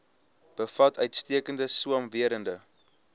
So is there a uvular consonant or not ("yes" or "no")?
no